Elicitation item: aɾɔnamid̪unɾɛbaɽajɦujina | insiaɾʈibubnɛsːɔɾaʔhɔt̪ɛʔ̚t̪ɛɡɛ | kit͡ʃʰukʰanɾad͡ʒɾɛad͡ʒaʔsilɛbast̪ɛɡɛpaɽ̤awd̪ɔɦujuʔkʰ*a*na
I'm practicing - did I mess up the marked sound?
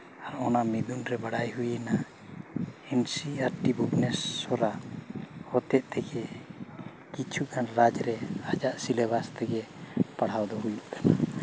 no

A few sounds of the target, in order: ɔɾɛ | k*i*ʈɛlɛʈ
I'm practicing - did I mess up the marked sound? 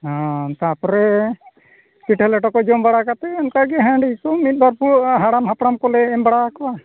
no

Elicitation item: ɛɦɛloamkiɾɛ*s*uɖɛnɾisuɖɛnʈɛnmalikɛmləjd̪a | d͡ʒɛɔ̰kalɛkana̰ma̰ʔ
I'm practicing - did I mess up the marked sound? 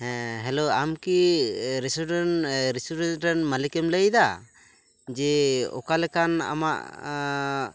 no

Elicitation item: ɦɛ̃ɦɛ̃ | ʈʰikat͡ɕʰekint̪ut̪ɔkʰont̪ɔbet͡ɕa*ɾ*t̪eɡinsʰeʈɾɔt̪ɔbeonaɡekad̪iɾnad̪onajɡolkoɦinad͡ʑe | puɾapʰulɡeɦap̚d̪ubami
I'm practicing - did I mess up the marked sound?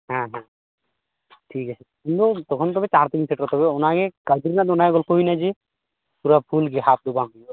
no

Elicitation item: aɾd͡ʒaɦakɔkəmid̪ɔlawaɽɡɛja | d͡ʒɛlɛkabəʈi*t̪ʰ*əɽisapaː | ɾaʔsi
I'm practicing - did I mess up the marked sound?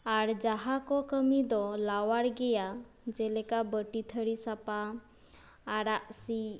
no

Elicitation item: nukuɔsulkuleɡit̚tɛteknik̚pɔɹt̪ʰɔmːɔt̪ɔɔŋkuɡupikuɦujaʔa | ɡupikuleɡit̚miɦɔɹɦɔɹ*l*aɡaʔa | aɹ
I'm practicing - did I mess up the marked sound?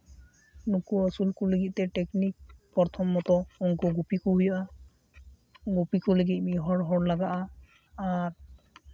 no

